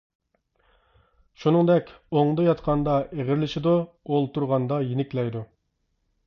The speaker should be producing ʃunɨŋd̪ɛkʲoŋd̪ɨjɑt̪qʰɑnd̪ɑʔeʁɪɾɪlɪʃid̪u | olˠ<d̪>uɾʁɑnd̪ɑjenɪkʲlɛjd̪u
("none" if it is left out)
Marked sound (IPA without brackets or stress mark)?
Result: t̪